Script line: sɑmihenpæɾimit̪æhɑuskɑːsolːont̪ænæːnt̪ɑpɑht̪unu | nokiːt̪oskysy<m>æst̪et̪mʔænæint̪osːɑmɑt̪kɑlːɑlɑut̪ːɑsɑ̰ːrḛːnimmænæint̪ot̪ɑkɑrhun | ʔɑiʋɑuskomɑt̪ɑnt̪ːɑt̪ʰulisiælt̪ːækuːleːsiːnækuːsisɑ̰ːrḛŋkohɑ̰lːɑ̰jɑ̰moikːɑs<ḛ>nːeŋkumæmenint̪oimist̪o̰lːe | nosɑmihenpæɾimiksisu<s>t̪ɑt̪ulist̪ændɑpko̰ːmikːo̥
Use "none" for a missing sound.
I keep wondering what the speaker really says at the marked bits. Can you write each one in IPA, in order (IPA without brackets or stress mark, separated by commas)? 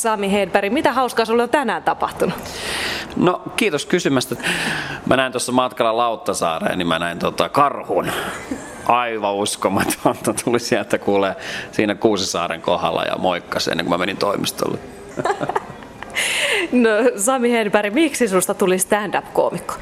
m, ḛ, s